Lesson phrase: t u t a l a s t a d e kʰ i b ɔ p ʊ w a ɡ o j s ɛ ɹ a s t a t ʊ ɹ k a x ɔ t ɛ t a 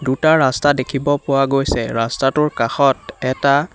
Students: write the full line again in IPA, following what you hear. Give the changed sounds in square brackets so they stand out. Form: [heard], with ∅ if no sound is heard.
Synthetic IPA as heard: [d] u t a [ɹ] a s t a d e kʰ i b ɔ p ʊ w a ɡ o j s ɛ ɹ a s t a t ʊ ɹ k a x ɔ t ɛ t a